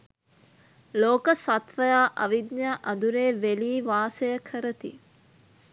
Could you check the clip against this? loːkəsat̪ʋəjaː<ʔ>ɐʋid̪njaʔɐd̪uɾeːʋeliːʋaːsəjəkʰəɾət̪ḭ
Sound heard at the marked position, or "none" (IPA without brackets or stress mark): ʔ